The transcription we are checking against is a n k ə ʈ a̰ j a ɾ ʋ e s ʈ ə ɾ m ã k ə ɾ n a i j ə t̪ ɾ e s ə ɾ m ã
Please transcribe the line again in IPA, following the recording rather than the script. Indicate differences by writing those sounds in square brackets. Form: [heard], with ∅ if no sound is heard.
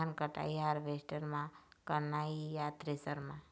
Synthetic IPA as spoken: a n k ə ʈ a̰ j a ɾ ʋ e s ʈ ə ɾ m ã k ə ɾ n a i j [a] t̪ ɾ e s ə ɾ m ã